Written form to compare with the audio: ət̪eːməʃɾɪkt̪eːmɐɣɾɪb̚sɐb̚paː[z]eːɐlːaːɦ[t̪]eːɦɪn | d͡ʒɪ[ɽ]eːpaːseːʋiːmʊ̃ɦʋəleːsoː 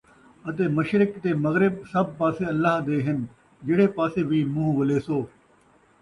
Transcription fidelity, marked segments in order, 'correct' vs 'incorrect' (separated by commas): incorrect, incorrect, correct